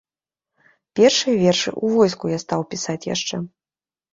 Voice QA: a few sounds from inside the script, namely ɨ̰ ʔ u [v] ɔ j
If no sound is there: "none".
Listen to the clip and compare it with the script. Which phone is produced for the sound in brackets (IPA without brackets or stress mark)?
v